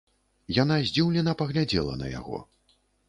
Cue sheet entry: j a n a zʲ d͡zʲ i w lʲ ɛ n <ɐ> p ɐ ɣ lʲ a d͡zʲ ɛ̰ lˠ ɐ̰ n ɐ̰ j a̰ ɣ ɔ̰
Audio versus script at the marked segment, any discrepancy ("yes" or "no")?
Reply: no